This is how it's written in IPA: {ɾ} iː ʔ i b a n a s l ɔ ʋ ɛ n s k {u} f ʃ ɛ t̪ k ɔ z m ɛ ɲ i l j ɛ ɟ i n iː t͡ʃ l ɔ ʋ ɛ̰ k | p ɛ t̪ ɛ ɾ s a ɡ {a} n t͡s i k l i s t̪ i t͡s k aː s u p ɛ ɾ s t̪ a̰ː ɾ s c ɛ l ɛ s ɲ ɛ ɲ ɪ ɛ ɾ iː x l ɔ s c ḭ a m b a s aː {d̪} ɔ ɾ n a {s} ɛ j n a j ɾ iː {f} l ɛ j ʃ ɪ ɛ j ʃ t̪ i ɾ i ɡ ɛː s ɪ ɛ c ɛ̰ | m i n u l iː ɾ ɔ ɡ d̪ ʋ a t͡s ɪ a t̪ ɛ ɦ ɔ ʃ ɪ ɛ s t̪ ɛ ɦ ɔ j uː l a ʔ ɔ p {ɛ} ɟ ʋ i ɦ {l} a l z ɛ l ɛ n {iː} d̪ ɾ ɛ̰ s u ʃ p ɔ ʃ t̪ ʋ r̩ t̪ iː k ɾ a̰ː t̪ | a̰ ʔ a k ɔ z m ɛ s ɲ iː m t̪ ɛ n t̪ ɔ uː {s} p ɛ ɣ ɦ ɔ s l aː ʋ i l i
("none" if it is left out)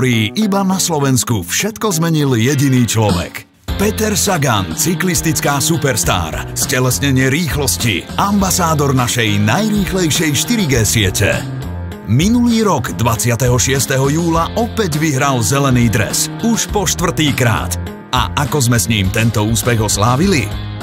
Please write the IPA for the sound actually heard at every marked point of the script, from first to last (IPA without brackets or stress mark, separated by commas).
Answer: ɾ, u, a, d̪, ʃ, x, ɛ, ɾ, iː, s